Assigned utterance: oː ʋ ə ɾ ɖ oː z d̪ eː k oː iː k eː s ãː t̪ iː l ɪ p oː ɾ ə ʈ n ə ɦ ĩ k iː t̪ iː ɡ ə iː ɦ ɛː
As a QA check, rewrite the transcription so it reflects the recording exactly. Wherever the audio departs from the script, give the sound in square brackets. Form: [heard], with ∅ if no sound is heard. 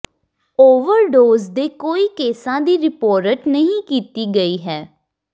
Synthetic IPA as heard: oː ʋ ə ɾ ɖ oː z d̪ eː k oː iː k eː s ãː [d̪] iː [ɾ] ɪ p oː ɾ ə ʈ n ə ɦ ĩ k iː t̪ iː ɡ ə iː ɦ ɛː